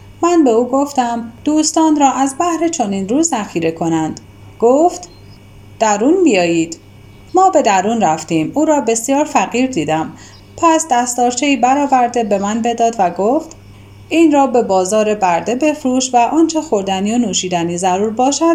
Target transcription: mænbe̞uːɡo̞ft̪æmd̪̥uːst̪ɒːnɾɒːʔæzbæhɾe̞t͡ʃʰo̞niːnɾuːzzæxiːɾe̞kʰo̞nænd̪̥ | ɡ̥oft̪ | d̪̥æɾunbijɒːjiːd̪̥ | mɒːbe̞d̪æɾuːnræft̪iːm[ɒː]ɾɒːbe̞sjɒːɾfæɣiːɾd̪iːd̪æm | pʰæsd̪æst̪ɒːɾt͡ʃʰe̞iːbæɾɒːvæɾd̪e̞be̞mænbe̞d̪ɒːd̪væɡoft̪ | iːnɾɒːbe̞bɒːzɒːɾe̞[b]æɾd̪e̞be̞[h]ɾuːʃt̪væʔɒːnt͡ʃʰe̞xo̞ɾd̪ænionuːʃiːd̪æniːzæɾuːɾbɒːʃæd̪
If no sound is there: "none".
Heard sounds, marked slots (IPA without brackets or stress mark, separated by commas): uː, b, f